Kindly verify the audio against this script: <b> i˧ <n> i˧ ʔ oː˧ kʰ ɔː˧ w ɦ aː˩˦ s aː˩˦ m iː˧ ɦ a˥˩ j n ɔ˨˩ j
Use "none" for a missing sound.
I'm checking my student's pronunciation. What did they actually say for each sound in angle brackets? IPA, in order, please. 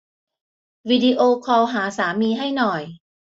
w, d

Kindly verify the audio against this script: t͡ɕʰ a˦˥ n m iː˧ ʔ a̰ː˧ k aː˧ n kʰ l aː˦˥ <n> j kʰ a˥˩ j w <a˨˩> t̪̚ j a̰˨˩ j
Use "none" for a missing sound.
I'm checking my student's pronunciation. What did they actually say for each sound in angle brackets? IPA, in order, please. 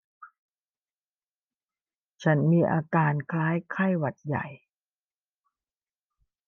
none, a˨˩

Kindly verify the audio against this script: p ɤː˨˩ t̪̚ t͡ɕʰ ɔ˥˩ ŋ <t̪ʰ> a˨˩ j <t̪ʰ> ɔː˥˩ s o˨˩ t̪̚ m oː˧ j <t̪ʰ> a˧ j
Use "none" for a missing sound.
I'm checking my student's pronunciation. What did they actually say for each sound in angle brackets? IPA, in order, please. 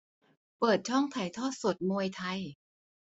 t̪ʰ, t̪ʰ, t̪ʰ

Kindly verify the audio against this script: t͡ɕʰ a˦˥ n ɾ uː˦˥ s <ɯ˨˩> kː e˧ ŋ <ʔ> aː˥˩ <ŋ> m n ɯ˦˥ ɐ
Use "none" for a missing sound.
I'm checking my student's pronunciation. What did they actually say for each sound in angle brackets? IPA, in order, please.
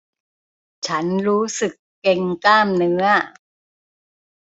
ɯ˨˩, k, none

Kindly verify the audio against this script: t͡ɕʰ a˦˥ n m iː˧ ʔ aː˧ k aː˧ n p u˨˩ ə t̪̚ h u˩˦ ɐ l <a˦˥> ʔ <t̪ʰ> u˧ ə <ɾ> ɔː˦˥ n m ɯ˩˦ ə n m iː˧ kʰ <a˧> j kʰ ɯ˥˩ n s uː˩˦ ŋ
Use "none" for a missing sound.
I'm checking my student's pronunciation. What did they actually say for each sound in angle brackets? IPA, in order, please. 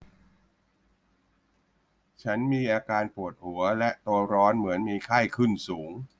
ɛ˦˥, t̪, ɾ, a˥˩

